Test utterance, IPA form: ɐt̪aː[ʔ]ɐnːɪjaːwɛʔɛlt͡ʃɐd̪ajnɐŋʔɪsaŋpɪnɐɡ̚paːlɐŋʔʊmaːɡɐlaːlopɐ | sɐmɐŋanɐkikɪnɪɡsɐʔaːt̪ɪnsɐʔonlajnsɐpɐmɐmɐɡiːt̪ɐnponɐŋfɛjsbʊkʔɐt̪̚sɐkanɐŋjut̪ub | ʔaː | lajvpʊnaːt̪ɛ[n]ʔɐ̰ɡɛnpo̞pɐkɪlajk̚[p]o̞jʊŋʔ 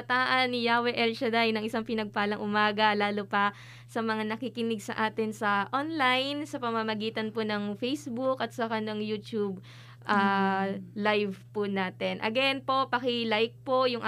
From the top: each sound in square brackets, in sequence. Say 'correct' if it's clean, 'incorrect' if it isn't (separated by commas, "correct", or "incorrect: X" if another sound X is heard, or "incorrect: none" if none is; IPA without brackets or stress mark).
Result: correct, correct, correct